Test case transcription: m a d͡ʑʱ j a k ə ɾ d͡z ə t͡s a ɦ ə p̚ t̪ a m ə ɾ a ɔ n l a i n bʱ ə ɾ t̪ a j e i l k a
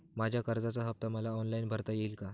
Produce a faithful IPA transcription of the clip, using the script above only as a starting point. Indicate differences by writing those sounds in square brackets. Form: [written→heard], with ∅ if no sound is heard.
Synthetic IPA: m a d͡ʑʱ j a k ə ɾ d͡z [ə→a] t͡s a ɦ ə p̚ t̪ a m ə [ɾ→l] a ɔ n l a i n bʱ ə ɾ t̪ a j e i l k a